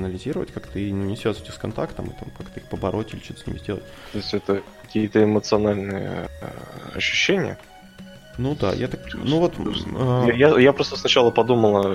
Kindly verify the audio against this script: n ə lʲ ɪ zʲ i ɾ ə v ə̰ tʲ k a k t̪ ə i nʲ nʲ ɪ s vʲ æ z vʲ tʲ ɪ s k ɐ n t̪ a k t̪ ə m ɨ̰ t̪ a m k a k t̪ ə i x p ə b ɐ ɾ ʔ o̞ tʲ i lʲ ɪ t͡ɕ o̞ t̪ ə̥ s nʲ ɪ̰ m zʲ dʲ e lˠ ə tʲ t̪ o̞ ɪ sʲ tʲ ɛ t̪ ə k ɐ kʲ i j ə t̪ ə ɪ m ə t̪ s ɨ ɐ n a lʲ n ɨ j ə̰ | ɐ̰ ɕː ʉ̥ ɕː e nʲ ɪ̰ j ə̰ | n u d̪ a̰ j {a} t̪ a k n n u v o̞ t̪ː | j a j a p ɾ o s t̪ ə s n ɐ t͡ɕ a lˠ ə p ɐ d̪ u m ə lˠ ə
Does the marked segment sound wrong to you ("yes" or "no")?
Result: no